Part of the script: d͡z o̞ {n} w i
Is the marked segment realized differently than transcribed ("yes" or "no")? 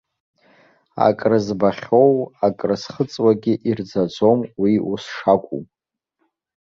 yes